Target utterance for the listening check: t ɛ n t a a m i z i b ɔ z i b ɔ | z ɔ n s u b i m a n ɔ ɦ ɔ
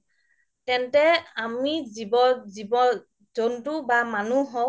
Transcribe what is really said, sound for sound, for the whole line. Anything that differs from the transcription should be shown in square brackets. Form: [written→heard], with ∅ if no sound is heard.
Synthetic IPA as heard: t ɛ n t [a→ɛ] a m i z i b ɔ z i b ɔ | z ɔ n [s→t] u b [i→a] m a n [ɔ→u] ɦ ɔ